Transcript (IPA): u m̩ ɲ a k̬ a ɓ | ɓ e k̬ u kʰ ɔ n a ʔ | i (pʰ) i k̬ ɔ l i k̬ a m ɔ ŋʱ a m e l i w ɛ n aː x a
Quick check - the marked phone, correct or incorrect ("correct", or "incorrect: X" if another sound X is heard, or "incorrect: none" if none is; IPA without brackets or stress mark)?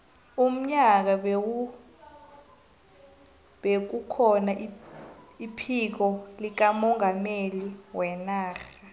correct